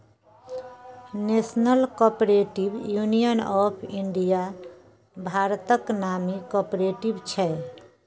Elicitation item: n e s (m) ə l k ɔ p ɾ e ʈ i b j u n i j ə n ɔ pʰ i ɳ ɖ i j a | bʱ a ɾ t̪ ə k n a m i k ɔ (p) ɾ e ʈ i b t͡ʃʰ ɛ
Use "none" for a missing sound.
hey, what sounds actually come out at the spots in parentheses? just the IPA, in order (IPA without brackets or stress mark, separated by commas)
n, p